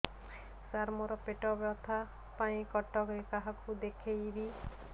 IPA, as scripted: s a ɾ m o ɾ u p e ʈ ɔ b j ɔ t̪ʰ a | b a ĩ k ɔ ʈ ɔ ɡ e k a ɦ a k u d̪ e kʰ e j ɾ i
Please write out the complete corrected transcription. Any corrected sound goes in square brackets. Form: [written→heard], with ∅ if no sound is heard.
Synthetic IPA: s a ɾ m [o→ɔ] ɾ [u→ɔ] p e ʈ ɔ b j ɔ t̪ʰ a | [b→p] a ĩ k ɔ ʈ ɔ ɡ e k a ɦ a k u d̪ e kʰ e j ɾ i